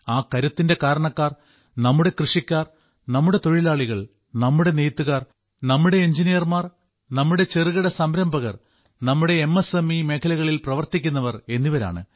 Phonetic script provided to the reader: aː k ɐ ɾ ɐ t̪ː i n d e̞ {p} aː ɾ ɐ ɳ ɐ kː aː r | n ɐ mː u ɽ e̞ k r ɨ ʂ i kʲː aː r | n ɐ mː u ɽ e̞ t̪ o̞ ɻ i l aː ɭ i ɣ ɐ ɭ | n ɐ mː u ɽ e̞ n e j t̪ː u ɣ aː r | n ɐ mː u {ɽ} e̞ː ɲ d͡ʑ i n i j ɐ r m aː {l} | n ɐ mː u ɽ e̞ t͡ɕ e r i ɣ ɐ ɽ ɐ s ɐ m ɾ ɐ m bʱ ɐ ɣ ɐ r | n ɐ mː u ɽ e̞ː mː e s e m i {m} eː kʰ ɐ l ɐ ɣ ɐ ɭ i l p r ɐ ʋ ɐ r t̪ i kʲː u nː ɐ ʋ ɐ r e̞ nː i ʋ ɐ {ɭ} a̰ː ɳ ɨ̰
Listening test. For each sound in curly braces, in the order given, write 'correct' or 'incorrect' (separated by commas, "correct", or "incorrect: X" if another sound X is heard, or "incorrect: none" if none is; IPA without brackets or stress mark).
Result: incorrect: k, correct, incorrect: r, correct, incorrect: ɾ